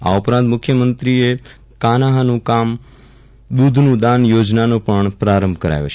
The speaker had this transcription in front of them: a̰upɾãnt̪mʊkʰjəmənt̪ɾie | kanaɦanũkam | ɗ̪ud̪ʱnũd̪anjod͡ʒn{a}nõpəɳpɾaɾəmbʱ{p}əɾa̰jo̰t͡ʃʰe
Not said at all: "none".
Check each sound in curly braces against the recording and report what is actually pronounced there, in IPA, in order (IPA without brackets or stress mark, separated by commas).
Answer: a, k